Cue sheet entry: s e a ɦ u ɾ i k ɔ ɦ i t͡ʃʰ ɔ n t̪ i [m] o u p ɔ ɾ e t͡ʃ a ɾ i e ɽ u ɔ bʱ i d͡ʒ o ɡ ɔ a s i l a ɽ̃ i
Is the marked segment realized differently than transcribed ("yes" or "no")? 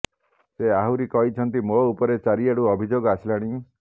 no